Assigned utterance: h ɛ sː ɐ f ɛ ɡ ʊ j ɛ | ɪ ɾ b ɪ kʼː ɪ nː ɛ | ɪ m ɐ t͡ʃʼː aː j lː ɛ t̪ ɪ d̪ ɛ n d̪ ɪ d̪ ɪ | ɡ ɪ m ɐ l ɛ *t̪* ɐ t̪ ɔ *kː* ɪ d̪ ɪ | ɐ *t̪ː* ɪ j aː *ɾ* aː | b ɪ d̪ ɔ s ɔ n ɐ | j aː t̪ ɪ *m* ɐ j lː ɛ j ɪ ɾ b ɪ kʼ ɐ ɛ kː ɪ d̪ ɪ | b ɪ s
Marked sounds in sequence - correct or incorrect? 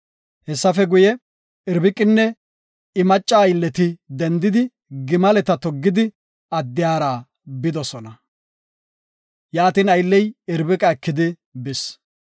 correct, incorrect: ɡː, incorrect: d̪ː, correct, incorrect: n

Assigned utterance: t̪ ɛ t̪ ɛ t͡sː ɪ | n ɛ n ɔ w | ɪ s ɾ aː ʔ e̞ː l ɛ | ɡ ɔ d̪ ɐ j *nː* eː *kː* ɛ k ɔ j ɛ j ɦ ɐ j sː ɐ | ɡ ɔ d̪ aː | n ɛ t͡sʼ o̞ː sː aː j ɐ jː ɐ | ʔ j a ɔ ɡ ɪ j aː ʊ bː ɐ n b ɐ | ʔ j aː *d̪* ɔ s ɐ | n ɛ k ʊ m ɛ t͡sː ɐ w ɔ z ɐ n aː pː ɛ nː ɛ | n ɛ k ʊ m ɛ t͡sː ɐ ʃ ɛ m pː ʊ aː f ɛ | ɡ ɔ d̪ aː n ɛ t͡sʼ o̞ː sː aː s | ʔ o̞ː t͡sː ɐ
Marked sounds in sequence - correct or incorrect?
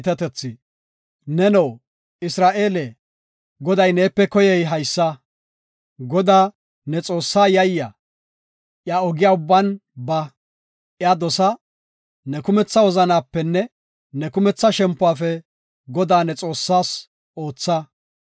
incorrect: n, incorrect: pː, correct

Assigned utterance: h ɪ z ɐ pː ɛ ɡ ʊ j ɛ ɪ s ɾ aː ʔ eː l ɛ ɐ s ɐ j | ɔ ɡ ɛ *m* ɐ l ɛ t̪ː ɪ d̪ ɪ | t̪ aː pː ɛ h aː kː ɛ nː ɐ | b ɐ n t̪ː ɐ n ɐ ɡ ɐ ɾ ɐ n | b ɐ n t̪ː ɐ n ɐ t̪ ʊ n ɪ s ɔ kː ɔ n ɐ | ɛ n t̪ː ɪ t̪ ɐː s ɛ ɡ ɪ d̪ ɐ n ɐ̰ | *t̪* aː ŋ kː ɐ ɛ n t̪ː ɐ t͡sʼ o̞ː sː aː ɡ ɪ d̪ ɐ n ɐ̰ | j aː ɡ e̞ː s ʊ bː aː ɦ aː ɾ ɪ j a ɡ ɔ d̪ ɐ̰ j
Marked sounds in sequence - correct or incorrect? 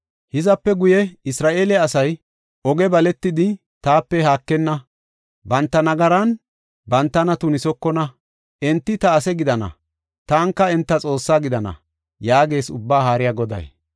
incorrect: b, correct

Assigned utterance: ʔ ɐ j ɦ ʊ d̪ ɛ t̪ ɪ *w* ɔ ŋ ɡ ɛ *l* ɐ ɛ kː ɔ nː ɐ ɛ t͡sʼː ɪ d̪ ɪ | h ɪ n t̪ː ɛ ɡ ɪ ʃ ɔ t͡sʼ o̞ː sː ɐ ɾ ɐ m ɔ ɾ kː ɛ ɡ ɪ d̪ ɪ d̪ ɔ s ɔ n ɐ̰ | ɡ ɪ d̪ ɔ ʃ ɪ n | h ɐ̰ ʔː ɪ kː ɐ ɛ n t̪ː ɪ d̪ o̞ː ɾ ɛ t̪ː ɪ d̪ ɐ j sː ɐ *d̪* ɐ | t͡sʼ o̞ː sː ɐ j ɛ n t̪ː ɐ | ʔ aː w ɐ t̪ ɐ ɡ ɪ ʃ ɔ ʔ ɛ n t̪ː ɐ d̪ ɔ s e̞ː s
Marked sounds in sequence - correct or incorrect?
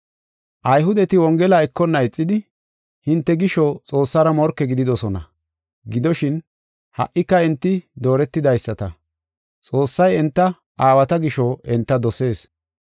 correct, correct, incorrect: t̪

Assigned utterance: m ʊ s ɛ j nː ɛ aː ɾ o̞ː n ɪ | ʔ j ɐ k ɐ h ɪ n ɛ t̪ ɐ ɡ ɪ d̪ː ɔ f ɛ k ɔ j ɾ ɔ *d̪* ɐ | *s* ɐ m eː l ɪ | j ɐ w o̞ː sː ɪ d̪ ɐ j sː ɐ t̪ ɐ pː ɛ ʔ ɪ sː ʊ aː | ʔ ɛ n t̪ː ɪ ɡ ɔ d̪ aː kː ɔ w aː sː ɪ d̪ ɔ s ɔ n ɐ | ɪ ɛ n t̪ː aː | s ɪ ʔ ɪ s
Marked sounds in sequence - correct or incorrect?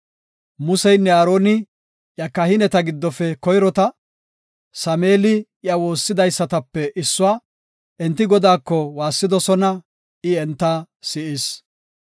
incorrect: t̪, correct

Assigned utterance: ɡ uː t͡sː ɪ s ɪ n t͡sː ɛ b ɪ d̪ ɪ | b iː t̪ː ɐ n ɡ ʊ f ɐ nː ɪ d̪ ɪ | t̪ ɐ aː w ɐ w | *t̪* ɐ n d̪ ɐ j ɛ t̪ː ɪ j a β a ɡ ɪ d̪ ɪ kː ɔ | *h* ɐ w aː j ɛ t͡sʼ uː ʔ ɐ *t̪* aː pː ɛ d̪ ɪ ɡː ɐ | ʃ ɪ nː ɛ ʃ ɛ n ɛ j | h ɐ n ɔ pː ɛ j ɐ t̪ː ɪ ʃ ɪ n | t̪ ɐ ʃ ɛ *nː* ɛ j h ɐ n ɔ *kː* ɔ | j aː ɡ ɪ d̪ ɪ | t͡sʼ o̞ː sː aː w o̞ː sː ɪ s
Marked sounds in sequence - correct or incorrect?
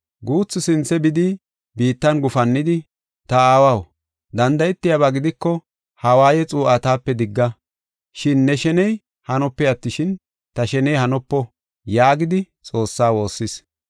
incorrect: d̪, correct, correct, incorrect: n, incorrect: pː

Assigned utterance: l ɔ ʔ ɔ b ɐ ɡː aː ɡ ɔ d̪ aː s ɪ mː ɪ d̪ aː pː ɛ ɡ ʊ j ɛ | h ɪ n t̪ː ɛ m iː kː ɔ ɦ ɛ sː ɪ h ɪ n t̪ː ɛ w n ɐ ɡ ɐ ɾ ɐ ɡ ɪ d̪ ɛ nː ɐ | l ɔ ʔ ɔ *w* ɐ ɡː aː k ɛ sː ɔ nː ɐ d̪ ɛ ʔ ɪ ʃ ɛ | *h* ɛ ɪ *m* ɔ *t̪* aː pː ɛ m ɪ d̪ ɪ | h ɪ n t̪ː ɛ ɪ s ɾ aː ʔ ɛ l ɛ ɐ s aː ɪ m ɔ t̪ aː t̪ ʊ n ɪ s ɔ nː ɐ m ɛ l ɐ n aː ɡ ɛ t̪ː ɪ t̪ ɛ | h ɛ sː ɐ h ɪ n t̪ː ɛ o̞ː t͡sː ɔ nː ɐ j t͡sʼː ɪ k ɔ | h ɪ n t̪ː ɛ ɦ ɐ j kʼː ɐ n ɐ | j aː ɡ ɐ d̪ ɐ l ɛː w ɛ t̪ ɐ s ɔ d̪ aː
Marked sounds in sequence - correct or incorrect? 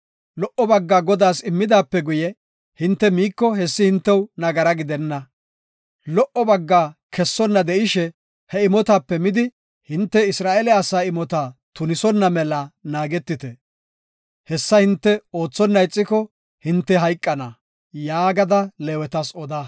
incorrect: b, correct, correct, correct

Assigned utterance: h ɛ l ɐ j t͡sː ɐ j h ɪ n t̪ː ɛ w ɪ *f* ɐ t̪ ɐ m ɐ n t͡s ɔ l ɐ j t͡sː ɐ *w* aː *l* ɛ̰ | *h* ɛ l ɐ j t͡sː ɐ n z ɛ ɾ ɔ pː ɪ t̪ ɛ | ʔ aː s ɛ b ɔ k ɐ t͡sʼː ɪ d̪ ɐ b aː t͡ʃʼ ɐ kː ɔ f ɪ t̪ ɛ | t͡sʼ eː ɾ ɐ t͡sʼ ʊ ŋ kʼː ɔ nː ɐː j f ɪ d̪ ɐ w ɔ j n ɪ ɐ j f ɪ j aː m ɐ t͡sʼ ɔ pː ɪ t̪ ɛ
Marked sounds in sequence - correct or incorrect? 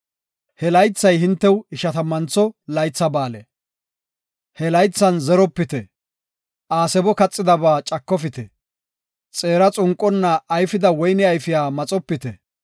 incorrect: ʃ, incorrect: b, correct, correct

